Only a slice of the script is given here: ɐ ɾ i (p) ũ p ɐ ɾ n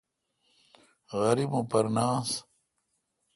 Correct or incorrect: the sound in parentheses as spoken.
incorrect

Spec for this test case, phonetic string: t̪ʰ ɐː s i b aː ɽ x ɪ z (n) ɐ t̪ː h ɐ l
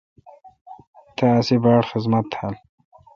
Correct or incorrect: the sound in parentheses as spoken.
incorrect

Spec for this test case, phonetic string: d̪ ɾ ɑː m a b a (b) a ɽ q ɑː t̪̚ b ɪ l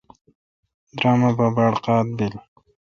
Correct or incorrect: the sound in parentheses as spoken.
correct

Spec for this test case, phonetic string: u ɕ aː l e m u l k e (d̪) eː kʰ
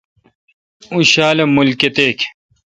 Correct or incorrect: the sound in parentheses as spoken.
incorrect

